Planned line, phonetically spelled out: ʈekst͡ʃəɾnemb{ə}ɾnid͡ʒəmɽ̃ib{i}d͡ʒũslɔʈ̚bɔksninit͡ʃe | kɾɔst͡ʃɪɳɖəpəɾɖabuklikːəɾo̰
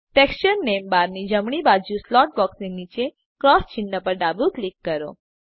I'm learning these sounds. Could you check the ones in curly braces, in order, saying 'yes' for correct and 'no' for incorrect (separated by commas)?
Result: no, no